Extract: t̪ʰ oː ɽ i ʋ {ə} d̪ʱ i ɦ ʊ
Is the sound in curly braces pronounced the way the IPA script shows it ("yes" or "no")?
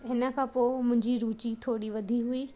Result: no